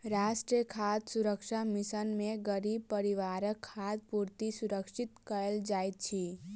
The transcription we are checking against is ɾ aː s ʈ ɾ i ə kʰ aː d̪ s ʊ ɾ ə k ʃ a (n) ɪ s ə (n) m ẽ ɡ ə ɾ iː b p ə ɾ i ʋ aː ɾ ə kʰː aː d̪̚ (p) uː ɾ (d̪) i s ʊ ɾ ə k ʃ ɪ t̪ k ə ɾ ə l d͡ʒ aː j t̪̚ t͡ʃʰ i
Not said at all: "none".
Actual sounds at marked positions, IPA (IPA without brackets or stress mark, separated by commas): m, n, p, t̪